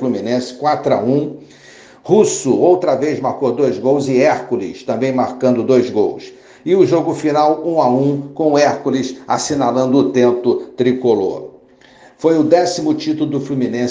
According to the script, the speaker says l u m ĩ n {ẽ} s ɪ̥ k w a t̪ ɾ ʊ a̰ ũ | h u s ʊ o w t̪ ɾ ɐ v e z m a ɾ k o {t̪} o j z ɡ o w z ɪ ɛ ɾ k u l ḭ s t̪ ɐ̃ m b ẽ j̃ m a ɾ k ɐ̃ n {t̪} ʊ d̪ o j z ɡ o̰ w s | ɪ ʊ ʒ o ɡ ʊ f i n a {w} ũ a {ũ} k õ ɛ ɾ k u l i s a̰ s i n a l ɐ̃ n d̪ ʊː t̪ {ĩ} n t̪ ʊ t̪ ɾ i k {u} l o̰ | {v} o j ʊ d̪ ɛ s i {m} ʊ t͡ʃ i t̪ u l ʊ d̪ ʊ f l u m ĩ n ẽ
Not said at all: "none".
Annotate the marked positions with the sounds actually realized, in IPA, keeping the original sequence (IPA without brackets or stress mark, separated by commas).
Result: ẽ, d̪, d̪, w, ũ, ẽ, o, f, m